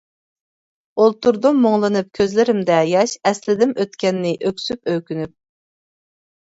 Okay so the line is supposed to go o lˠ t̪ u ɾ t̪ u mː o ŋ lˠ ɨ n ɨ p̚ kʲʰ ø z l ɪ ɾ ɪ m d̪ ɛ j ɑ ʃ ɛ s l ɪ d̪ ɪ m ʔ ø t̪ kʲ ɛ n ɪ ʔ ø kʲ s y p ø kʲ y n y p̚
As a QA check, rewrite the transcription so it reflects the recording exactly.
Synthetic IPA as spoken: o lˠ t̪ u ɾ d̪ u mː o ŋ lˠ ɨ n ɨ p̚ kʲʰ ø z l ɪ ɾ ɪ m d̪ ɛ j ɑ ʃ ɛ s l ɪ d̪ ɪ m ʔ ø t̪ kʲ ɛ nː ɪ ʔ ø kʲ s y p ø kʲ y n y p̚